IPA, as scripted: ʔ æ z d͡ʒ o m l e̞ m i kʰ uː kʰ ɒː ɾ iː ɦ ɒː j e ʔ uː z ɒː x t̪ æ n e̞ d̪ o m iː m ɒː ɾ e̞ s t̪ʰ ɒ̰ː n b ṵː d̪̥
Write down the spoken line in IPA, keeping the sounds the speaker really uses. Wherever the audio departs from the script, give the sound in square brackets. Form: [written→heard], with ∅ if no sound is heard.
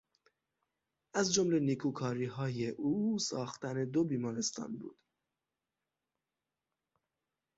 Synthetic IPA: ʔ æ z d͡ʒ o m l e̞ [m→n] i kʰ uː kʰ ɒː ɾ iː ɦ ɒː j e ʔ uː [z→s] ɒː x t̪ æ n e̞ d̪ o [m→b] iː m ɒː ɾ e̞ s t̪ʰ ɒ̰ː n b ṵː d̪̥

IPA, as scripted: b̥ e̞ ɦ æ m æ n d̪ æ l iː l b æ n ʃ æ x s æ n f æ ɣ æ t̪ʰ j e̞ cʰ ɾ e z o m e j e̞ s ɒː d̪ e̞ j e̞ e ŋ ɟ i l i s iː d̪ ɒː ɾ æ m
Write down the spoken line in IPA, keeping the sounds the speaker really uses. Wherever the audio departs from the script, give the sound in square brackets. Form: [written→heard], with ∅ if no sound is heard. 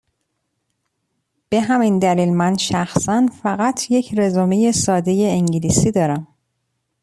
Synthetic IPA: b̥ e̞ ɦ æ m [æ→i] n d̪ æ l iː l [b→m] æ n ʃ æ x s æ n f æ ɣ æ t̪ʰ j e̞ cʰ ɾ e z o m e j e̞ s ɒː d̪ e̞ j e̞ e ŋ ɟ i l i s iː d̪ ɒː ɾ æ m

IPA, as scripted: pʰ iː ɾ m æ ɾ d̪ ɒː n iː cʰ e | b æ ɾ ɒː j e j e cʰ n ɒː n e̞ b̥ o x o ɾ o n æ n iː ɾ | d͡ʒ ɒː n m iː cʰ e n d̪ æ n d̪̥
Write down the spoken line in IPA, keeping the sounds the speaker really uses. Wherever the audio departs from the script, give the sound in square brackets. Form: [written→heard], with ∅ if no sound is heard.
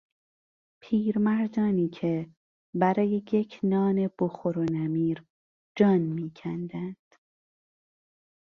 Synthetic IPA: pʰ iː ɾ m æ ɾ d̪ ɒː n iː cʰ e | b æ ɾ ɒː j e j e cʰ n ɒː n e̞ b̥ o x o ɾ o n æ [n→m] iː ɾ | d͡ʒ ɒː n m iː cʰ [e→æ] n d̪ æ n d̪̥

